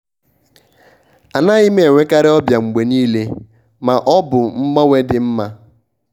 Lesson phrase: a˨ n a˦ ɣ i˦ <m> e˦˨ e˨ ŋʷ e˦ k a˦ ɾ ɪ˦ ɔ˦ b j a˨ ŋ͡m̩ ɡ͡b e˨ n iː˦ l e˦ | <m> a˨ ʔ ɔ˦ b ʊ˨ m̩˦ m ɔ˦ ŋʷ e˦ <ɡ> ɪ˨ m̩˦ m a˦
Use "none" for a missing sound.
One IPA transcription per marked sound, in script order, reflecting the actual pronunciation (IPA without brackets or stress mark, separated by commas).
m, m, d